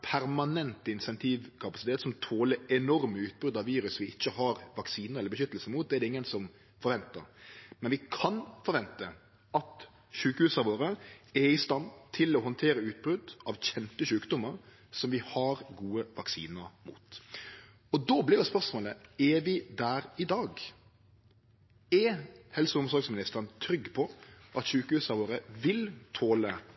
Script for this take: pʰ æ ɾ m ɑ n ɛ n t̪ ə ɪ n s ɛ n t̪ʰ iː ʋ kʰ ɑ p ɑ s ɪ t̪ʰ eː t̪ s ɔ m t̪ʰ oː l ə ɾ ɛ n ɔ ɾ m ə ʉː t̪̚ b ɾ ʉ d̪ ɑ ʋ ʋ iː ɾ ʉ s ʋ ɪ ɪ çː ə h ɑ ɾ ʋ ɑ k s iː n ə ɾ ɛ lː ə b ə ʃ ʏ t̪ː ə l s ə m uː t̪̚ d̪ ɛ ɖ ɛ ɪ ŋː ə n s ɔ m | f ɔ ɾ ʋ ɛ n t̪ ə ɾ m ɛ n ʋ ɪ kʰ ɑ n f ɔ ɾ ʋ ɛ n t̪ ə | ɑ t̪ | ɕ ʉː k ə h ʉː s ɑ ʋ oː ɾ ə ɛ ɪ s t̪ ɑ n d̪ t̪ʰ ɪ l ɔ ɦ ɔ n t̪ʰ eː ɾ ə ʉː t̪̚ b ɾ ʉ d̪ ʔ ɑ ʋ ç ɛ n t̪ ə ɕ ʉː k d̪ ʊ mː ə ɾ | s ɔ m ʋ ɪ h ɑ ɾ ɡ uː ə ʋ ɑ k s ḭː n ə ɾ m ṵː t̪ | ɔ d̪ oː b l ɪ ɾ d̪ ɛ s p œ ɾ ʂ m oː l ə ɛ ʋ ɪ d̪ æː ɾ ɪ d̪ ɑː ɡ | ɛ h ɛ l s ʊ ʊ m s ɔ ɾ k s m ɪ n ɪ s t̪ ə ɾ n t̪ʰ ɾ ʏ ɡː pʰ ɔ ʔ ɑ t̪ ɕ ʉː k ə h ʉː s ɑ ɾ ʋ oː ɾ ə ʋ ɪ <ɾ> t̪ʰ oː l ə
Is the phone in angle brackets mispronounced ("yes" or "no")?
yes